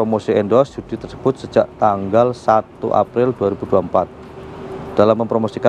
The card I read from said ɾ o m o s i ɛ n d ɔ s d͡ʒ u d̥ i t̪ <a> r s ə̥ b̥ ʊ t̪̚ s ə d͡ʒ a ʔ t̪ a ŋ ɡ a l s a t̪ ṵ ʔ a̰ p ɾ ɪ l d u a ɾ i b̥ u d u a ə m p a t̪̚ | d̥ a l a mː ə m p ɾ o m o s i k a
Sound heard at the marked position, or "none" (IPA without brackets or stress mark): ə